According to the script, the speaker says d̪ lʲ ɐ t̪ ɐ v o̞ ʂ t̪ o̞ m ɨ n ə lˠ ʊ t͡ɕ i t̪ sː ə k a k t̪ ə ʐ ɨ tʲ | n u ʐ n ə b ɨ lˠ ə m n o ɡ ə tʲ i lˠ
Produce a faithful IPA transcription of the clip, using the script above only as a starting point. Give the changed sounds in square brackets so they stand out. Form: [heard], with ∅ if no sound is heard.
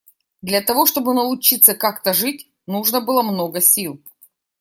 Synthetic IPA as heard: d̪ lʲ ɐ t̪ ɐ v o̞ ʂ t̪ o̞ [b] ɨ n ə lˠ ʊ t͡ɕ i t̪ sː ə k a k t̪ ə ʐ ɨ tʲ | n u ʐ n ə b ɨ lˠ ə m n o ɡ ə [sʲ] i lˠ